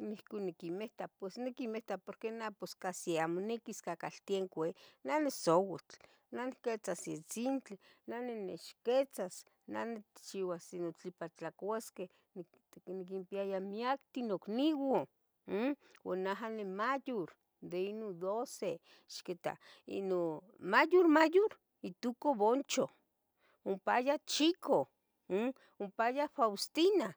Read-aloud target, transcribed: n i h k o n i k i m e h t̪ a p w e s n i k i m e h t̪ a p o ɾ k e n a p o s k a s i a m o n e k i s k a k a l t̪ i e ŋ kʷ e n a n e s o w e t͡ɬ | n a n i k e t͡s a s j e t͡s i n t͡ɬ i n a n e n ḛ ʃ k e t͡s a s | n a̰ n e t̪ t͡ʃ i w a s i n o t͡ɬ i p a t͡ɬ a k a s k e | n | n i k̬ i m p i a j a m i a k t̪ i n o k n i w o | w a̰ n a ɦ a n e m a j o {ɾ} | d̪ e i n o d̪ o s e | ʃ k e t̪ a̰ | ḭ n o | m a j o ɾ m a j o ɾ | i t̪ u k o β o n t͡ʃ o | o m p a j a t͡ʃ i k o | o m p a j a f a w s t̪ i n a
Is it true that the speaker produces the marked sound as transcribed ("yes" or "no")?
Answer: yes